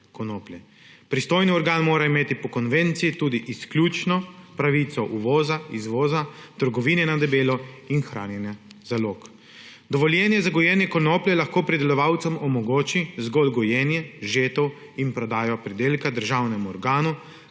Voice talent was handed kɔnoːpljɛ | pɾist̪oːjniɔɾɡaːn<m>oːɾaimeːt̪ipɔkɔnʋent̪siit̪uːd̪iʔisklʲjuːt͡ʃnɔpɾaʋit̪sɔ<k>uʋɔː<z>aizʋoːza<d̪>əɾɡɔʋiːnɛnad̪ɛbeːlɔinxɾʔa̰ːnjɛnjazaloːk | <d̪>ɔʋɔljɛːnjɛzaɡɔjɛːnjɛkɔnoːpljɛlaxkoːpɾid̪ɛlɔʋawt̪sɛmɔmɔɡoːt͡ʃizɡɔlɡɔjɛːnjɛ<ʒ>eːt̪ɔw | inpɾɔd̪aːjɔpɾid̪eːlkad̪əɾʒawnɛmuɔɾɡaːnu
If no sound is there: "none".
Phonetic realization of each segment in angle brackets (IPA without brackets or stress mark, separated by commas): m, ʔ, z, t̪, d̪, ʒ